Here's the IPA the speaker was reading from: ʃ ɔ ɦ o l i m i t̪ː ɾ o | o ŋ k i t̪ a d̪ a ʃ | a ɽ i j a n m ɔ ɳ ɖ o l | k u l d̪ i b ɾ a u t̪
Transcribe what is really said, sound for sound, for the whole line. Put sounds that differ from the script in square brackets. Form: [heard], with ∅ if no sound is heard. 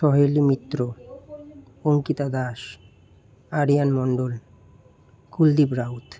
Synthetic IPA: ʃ ɔ ɦ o l i m i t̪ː ɾ o | o ŋ k i t̪ a d̪ a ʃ | a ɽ i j a n m ɔ ɳ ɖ o l | k u l d̪ i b ɾ a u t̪